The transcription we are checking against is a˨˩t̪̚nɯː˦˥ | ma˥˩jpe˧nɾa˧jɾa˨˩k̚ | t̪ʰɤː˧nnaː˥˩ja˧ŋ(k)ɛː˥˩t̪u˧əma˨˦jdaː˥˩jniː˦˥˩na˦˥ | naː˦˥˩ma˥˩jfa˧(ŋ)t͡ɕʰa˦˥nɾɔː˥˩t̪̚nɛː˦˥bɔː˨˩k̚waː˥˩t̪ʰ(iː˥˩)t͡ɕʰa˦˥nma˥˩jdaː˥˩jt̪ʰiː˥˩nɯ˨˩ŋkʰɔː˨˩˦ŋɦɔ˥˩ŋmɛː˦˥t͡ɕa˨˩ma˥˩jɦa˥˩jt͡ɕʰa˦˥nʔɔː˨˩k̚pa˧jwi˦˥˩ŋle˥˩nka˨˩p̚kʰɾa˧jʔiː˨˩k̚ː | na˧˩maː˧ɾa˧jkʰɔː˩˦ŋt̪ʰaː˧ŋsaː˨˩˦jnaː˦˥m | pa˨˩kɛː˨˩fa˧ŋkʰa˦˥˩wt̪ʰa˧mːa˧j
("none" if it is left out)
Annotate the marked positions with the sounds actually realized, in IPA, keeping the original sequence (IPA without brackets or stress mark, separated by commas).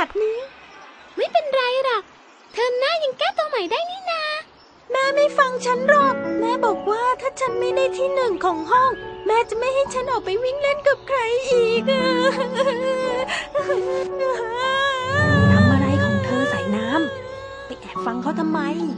k, ŋ, aː˥˩